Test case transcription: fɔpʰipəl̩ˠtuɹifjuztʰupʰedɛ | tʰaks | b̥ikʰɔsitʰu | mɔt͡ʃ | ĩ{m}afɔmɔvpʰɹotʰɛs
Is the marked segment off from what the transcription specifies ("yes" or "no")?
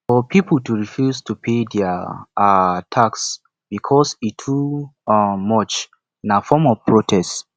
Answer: yes